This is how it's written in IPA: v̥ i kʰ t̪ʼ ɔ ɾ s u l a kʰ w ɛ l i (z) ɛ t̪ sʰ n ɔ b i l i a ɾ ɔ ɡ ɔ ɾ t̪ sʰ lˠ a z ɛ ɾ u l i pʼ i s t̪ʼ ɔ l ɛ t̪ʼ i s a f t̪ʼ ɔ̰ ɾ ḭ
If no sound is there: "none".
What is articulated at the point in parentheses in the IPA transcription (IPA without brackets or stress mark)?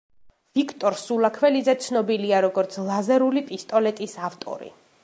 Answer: z